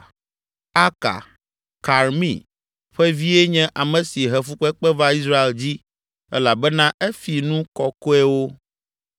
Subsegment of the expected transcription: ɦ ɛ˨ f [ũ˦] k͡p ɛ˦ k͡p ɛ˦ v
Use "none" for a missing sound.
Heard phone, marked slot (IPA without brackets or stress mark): u˦